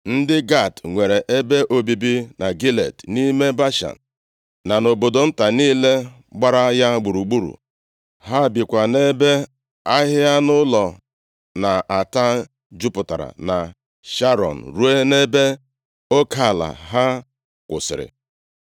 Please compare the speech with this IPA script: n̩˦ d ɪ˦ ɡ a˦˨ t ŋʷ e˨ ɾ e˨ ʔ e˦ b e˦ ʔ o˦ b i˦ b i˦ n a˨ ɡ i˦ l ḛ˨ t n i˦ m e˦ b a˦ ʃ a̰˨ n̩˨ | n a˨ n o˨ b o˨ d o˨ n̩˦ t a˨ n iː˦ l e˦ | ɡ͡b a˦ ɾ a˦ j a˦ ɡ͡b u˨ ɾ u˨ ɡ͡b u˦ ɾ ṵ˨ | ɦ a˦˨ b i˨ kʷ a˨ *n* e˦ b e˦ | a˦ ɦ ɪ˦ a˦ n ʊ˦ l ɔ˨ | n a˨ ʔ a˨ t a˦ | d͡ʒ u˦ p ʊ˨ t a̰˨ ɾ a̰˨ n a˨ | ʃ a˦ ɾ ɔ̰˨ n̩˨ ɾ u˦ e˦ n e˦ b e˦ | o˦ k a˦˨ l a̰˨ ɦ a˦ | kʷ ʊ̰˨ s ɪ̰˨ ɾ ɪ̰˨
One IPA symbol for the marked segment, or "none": n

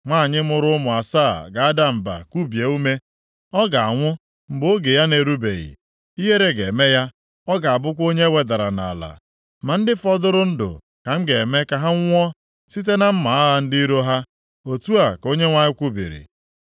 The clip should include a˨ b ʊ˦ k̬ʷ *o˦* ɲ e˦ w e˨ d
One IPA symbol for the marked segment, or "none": o˦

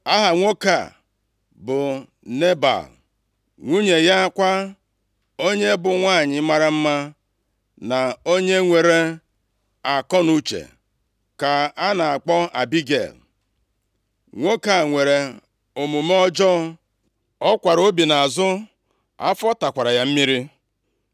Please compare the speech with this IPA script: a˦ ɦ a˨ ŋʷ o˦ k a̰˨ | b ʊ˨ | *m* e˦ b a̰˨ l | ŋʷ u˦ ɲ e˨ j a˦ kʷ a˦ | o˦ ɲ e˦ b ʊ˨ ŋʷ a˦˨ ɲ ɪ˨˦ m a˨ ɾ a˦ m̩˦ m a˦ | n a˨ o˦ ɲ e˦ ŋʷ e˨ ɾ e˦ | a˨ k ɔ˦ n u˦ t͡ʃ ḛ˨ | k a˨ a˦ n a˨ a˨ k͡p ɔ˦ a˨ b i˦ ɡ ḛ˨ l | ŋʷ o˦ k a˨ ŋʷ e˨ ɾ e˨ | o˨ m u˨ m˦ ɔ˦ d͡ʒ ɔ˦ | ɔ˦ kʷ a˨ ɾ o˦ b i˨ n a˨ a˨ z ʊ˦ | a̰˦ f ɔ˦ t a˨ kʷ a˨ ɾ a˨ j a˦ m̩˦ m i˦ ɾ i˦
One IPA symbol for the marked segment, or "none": n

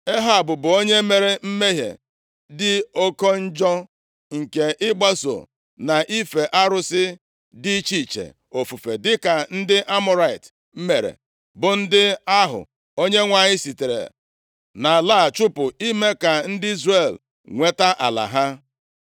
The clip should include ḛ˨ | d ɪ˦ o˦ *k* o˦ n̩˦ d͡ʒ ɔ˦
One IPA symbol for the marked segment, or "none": k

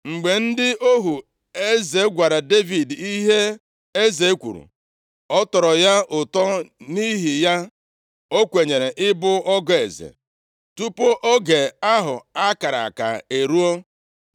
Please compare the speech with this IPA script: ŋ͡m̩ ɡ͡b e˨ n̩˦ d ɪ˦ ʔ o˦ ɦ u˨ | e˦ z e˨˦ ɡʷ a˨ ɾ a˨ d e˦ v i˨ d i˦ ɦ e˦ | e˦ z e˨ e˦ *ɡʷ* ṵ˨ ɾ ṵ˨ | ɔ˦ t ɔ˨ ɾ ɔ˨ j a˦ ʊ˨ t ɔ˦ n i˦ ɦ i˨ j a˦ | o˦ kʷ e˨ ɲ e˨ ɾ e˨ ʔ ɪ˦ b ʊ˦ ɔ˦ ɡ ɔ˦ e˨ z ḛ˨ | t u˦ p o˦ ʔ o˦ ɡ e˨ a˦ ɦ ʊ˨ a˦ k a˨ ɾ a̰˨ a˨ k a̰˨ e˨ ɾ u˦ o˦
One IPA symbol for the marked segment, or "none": kʷ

